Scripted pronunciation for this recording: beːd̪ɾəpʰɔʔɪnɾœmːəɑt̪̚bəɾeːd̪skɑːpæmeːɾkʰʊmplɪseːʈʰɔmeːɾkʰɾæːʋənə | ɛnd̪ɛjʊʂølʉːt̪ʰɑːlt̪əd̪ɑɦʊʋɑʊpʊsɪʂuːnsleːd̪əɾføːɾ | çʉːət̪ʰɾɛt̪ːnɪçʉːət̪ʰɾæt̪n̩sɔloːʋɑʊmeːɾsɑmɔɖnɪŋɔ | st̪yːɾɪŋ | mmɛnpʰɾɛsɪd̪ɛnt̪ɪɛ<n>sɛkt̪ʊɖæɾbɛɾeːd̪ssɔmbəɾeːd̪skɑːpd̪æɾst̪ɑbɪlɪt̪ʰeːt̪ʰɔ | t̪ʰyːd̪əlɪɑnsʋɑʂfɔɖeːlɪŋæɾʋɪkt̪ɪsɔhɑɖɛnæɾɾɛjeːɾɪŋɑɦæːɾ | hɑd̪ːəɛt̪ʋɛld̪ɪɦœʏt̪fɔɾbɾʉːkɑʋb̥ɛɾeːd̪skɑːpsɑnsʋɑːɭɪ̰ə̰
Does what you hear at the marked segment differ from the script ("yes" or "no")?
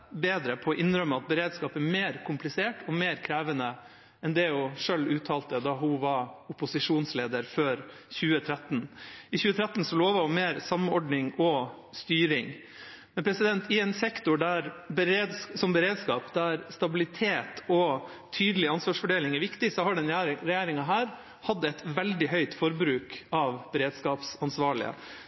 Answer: no